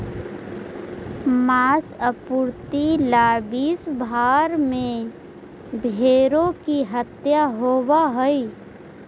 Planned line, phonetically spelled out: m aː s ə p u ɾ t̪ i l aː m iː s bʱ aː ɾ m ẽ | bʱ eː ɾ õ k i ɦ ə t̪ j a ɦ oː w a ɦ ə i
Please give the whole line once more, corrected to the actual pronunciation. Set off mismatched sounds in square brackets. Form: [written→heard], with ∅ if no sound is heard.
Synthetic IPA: m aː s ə p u ɾ t̪ i l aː [m→b] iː s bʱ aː ɾ m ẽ | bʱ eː ɾ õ k i ɦ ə t̪ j a ɦ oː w a ɦ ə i

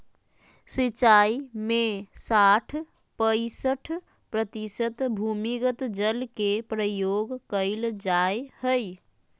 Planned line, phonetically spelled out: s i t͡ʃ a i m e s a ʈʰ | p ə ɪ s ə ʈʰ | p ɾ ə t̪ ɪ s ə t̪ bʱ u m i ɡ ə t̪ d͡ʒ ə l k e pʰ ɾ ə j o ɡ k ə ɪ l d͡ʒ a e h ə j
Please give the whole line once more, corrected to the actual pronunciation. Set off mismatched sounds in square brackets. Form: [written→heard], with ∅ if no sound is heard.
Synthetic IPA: s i t͡ʃ a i m e s a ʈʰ | p ə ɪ s ə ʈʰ | p ɾ ə t̪ [ɪ→i] s ə t̪ bʱ u m i ɡ ə t̪ d͡ʒ ə l k e [pʰ→p] ɾ ə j o ɡ k ə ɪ l d͡ʒ a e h ə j

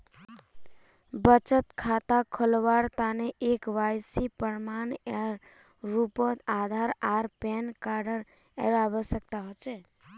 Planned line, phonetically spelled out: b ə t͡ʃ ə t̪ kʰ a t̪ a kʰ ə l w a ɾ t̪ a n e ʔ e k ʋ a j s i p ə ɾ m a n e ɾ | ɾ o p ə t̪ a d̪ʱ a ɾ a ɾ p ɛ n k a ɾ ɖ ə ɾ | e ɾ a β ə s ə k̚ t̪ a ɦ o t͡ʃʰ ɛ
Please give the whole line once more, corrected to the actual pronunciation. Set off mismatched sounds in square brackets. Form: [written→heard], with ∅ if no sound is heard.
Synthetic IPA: b ə t͡ʃ ə t̪ kʰ a t̪ a kʰ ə l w a ɾ t̪ a n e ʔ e k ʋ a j s i p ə ɾ m a n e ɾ | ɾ [o→u] p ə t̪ a d̪ʱ a ɾ a ɾ p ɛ n k a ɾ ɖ ə ɾ | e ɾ a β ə s ə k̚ t̪ a ɦ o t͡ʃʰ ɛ

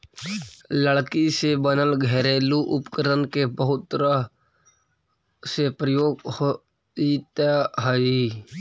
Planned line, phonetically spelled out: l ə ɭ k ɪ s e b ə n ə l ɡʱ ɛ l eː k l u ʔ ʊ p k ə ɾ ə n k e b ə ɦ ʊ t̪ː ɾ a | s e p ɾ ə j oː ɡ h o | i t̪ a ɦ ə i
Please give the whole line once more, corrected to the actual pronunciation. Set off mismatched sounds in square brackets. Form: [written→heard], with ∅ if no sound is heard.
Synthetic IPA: l ə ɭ k [ɪ→i] s e b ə n ə l ɡʱ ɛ [l→ɾ] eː [k→∅] l u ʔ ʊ p k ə ɾ ə n k e b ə ɦ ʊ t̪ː ɾ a | s e p ɾ ə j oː ɡ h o | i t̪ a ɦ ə i

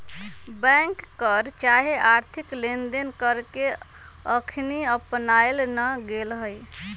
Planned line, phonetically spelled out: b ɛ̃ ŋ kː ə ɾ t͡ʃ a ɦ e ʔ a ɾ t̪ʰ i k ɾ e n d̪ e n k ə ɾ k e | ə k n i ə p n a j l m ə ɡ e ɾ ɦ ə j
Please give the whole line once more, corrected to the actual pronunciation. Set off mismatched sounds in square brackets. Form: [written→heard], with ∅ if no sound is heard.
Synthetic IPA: b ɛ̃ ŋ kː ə ɾ t͡ʃ a ɦ e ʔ a ɾ t̪ʰ i k [ɾ→l] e n d̪ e n k ə ɾ k e | ə [k→kʰ] n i ə p n a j l [m→n] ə ɡ e [ɾ→l] ɦ ə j

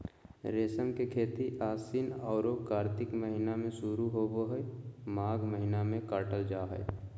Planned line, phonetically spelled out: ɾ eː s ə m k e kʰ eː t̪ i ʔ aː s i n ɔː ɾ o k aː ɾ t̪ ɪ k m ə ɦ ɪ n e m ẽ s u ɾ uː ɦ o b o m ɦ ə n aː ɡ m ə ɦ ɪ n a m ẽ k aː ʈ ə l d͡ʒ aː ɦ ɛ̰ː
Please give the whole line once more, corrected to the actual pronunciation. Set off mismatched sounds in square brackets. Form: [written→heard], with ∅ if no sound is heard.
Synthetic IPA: ɾ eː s ə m k e kʰ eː t̪ i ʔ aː s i n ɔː ɾ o k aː ɾ t̪ ɪ k m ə ɦ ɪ n [e→a] m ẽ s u ɾ [uː→u] ɦ o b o [m→∅] ɦ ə [n→m] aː ɡ m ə ɦ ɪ n a m ẽ k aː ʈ ə l d͡ʒ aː ɦ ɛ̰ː

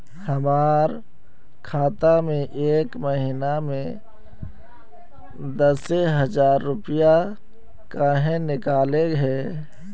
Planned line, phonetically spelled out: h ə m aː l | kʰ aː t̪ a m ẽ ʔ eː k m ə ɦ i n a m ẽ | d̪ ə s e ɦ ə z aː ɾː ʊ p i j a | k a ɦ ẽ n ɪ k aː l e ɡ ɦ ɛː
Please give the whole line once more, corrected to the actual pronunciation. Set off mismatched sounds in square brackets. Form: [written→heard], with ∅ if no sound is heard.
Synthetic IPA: h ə m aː [l→ɾ] | kʰ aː t̪ a m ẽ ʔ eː k m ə ɦ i n a m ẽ | d̪ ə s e ɦ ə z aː ɾː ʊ p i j a | k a ɦ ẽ n ɪ k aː l e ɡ ɦ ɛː

